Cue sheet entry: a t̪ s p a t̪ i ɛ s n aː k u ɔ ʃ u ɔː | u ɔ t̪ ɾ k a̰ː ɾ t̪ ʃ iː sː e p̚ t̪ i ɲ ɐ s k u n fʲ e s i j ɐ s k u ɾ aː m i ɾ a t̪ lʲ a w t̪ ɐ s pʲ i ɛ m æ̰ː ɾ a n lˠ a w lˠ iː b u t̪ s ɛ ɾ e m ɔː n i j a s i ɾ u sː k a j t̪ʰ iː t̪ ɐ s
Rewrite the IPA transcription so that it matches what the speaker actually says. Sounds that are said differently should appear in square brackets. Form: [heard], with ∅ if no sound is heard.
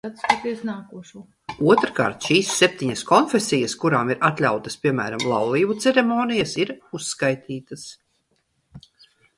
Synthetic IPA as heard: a t̪ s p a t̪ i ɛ s n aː k u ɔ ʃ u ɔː | u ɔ t̪ ɾ k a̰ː ɾ t̪ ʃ iː sː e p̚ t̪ i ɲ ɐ s k [ɔ] n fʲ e s i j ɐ s k u ɾ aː m i ɾ a t̪ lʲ a w t̪ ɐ s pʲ i ɛ m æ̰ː ɾ a [m] lˠ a w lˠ iː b u t̪ s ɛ ɾ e m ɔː n i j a s i ɾ u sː k a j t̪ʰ iː t̪ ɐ s